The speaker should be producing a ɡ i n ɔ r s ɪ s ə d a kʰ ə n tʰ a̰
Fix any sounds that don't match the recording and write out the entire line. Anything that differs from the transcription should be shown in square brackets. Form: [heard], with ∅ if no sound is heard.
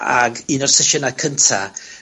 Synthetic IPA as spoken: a ɡ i n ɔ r s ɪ [ʃ] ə [n] a kʰ ə n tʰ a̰